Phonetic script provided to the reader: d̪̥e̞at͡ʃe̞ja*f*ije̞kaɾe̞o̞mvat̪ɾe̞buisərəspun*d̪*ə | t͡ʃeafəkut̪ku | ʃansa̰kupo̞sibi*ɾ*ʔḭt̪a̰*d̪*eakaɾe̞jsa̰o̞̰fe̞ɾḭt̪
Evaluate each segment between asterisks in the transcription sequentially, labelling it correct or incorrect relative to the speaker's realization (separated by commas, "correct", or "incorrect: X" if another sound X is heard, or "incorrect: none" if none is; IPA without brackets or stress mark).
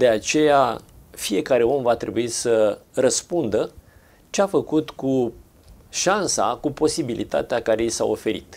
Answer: correct, correct, incorrect: l, incorrect: t̪